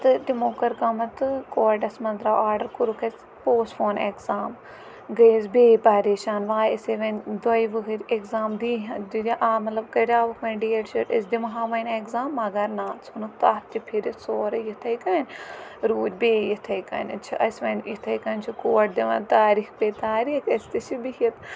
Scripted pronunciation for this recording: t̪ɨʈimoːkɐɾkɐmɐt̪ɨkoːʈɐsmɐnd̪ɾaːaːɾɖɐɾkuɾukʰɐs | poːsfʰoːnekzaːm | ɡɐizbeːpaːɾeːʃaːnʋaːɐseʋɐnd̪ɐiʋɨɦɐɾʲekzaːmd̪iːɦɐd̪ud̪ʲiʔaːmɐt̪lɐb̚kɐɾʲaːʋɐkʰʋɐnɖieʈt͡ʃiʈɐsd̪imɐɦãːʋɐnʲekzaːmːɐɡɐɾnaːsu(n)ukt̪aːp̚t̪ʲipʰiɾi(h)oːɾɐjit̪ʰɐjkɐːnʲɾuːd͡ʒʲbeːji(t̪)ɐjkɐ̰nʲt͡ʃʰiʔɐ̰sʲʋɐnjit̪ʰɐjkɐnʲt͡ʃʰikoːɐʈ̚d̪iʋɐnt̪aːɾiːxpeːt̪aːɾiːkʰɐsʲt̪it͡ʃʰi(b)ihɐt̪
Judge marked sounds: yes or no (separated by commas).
yes, no, no, yes